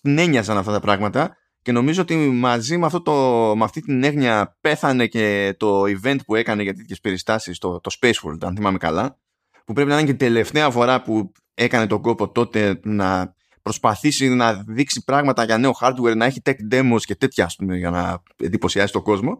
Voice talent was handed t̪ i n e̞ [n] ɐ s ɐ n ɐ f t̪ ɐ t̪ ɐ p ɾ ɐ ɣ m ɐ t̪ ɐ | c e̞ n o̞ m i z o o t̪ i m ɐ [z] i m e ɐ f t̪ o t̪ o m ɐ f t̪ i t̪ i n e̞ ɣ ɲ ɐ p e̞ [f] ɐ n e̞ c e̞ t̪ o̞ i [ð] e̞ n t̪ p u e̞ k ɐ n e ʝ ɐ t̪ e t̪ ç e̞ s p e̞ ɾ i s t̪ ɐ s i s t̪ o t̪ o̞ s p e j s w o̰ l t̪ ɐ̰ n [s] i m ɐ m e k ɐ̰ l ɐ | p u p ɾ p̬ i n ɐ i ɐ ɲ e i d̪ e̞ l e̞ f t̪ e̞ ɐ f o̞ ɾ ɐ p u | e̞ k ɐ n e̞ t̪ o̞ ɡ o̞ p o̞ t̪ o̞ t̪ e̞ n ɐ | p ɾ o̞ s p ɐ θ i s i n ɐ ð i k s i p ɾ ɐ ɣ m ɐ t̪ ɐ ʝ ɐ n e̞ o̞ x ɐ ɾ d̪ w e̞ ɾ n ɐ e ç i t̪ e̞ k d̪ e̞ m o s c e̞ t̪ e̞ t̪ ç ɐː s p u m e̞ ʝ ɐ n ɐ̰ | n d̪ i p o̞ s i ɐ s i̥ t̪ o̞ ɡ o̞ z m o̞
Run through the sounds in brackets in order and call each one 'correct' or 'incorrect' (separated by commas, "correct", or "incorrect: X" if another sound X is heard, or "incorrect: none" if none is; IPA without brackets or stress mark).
incorrect: ɲ, correct, incorrect: θ, incorrect: v, incorrect: θ